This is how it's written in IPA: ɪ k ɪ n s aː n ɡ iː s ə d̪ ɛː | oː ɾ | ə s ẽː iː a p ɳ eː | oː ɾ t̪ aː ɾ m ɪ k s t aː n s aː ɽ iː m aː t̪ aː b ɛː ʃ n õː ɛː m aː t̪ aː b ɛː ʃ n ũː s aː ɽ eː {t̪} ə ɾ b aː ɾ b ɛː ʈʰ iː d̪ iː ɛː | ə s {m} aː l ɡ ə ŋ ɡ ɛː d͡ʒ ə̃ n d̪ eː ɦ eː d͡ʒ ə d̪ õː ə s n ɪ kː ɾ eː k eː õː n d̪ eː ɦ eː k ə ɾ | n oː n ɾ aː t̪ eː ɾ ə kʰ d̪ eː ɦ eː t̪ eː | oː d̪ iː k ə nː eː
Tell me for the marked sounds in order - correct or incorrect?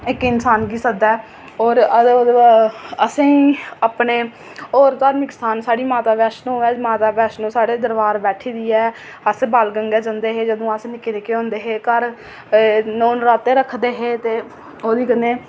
incorrect, incorrect

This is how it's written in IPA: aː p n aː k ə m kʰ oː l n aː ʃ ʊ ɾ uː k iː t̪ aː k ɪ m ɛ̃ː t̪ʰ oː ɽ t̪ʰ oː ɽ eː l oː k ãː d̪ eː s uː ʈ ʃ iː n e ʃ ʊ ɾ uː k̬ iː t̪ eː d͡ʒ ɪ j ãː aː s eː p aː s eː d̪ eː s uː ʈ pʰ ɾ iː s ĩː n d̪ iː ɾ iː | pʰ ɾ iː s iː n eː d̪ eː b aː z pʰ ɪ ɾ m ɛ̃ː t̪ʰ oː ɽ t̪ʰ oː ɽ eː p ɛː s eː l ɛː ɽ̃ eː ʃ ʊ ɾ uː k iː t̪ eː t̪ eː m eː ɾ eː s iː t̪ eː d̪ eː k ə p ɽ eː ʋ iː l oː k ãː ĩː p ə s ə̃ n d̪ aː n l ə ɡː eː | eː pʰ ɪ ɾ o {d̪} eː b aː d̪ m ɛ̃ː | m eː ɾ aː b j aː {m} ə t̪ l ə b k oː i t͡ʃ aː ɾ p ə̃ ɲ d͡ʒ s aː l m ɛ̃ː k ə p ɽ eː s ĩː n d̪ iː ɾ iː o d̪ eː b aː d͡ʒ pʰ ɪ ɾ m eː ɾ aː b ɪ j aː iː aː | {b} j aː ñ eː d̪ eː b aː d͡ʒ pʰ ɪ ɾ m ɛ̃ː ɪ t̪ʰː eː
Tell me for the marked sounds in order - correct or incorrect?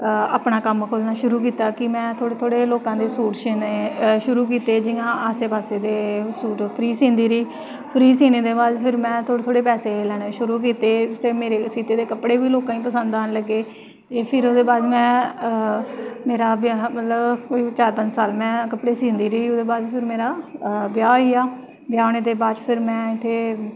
correct, correct, correct

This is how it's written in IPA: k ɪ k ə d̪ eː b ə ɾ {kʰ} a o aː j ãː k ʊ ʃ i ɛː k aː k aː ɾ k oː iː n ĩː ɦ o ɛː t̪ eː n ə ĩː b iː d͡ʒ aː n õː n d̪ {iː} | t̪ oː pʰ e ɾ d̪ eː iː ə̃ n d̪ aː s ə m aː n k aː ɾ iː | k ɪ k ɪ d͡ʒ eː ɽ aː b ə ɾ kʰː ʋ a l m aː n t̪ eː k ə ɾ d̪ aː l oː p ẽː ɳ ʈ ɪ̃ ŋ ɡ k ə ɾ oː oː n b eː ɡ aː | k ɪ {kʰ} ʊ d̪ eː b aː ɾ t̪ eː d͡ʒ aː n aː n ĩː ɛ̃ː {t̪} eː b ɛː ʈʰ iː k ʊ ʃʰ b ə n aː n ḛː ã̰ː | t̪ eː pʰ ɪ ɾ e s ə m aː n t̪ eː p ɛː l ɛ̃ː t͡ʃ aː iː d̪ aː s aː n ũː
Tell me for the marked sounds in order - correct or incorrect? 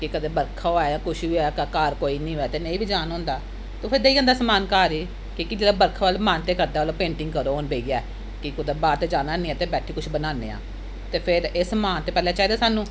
correct, incorrect, incorrect, correct

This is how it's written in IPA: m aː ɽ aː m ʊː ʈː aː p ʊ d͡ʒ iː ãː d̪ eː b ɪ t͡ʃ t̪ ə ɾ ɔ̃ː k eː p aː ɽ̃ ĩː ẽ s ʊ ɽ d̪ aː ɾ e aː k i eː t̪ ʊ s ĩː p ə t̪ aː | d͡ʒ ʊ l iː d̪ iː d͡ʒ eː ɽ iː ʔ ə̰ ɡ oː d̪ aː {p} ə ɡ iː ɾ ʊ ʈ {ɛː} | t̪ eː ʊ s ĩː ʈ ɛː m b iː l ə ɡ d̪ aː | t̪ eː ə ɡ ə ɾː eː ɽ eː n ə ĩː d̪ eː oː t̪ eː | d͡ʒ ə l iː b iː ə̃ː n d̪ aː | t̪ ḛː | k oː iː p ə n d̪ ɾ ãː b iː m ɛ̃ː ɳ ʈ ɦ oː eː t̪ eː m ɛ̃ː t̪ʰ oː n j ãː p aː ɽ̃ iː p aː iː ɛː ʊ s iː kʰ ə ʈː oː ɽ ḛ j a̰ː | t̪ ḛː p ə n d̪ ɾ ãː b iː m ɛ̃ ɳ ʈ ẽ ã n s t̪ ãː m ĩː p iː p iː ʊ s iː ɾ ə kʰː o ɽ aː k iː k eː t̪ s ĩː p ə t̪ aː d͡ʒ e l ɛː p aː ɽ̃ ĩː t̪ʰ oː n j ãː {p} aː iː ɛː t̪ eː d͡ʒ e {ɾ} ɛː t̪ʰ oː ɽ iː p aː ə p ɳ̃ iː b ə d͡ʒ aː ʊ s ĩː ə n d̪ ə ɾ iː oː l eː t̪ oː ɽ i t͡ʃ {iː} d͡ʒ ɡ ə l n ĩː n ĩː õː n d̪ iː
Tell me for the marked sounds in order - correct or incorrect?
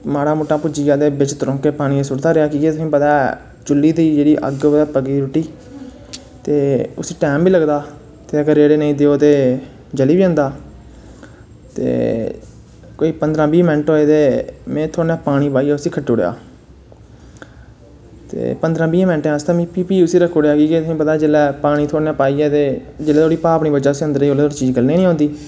correct, incorrect, correct, incorrect, correct

